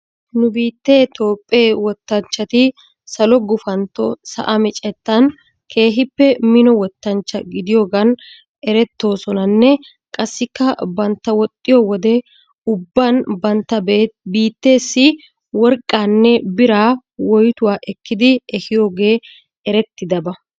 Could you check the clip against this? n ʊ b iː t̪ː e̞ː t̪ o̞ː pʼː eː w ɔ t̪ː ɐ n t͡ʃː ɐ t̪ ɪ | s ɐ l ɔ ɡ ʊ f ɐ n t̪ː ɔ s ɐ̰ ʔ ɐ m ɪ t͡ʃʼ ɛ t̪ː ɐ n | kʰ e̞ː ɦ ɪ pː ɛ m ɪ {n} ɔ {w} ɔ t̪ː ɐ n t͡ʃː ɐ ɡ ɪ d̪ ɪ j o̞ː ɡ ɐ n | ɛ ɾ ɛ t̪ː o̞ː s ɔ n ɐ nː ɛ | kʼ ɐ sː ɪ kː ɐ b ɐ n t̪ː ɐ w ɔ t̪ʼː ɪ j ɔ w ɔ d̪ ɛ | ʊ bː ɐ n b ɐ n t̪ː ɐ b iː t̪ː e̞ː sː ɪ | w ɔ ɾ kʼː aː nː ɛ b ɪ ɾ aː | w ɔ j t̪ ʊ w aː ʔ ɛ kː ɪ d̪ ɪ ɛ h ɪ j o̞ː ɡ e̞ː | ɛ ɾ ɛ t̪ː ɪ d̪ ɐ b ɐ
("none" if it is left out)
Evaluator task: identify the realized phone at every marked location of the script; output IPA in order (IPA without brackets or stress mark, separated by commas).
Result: n, w